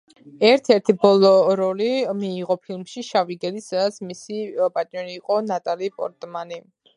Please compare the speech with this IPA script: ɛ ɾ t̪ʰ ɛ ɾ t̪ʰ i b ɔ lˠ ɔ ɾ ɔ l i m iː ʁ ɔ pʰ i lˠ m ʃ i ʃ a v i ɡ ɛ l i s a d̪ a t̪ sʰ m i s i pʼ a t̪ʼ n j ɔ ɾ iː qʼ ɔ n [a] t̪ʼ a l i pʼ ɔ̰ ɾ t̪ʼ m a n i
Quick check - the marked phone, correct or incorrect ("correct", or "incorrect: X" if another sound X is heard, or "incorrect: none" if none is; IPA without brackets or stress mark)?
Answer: correct